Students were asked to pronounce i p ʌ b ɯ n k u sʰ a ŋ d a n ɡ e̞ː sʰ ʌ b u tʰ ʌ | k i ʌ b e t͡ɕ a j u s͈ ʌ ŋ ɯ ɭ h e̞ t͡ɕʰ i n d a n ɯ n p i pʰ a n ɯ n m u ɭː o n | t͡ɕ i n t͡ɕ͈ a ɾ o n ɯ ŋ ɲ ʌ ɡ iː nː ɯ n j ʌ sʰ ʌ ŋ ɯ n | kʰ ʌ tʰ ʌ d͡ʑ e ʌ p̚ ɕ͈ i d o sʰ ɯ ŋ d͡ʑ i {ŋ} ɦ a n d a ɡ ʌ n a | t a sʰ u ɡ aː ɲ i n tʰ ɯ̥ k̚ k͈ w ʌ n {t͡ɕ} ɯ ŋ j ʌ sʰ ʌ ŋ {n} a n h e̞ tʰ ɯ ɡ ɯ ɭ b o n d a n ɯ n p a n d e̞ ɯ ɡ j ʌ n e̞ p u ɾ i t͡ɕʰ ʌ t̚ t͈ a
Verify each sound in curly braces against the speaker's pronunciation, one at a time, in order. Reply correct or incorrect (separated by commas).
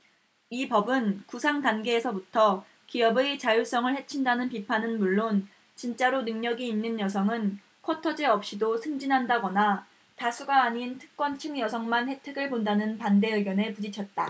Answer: incorrect, incorrect, incorrect